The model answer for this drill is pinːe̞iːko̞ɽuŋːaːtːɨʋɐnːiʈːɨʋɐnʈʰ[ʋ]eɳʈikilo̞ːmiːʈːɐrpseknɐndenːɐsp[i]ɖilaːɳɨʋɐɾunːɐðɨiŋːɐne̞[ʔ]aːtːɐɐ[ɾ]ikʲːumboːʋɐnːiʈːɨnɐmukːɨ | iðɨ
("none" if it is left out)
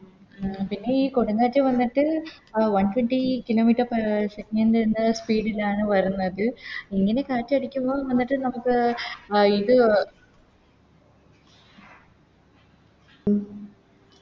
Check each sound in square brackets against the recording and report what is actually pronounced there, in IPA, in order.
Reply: w, iː, k, ɽ

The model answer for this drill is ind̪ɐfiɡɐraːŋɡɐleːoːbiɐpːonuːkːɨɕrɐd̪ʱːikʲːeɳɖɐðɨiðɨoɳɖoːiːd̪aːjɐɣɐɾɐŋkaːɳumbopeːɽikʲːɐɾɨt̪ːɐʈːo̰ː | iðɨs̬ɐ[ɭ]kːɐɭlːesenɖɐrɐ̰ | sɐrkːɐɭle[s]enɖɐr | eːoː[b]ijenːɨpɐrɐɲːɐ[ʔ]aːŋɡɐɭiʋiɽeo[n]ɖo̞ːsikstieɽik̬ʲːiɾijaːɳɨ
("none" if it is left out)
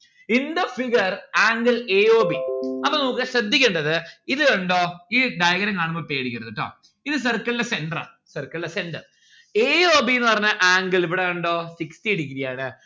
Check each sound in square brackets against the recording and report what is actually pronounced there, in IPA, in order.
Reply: r, s, b, ʔ, ɳ

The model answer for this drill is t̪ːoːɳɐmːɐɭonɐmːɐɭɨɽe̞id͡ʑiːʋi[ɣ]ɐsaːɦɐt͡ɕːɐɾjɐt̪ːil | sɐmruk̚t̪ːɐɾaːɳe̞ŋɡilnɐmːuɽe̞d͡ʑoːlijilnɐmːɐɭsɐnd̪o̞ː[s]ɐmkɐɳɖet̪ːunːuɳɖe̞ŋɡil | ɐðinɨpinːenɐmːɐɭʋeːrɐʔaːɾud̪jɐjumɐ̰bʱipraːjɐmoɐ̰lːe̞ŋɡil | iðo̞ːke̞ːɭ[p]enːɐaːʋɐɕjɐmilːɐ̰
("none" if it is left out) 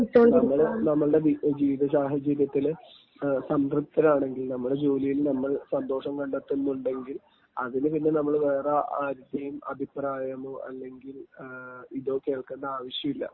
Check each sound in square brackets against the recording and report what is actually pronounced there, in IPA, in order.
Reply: ð, ʂ, k

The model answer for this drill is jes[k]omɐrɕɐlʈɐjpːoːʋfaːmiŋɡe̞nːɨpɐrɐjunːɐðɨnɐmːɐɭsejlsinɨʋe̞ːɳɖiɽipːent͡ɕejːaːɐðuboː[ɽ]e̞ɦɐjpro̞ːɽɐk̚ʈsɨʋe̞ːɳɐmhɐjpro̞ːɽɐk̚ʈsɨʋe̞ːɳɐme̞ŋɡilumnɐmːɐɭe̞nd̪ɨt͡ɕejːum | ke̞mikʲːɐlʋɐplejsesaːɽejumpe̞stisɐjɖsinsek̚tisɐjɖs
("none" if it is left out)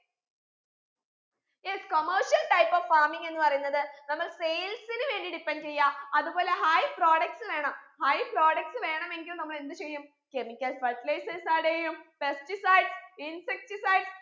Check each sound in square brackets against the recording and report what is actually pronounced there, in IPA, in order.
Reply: k, l

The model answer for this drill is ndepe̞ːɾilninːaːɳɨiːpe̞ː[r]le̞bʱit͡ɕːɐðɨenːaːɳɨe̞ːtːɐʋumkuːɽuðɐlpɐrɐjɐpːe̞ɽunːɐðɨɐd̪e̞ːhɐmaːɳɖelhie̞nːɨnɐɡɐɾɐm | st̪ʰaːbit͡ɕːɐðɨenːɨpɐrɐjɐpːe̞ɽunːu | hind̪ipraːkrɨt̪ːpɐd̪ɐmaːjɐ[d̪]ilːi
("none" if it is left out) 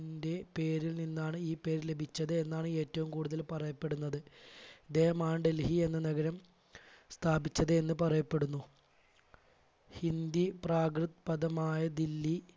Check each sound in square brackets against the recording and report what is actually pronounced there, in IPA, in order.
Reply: ɾ, d̪

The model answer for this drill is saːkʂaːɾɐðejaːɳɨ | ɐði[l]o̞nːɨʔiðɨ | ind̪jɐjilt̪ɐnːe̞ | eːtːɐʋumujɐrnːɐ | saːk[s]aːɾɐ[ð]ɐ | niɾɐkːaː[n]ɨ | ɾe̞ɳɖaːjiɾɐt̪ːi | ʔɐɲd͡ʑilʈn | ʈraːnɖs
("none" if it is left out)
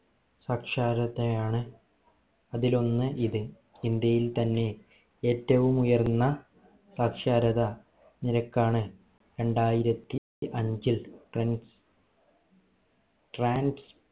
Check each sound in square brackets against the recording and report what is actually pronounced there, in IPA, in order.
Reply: l, ʂ, ð, ɳ

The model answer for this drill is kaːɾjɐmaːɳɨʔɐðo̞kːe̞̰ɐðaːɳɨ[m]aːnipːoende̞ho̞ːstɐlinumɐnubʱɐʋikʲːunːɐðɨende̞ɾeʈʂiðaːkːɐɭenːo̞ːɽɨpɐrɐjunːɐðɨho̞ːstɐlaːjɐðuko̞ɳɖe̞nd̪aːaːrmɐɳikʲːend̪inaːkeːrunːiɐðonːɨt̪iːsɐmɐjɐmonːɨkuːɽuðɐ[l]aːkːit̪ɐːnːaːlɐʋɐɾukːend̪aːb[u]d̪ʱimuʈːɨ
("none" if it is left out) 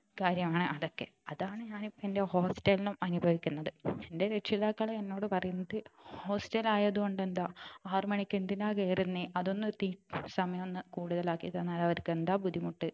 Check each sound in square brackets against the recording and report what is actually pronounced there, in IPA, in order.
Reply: ɲ, l, u

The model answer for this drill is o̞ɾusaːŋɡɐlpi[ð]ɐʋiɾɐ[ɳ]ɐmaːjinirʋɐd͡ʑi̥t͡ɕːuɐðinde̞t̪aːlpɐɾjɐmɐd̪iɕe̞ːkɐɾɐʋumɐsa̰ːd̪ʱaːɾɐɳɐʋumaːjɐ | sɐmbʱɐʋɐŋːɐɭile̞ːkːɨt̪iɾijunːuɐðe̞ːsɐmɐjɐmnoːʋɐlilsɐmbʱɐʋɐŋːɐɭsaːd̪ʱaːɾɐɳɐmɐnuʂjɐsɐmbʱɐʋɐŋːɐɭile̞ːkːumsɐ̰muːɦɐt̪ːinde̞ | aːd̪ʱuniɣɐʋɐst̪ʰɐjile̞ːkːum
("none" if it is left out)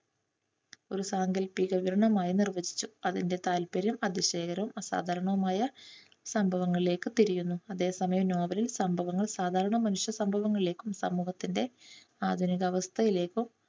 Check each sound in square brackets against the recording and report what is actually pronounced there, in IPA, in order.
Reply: ɣ, ɳ

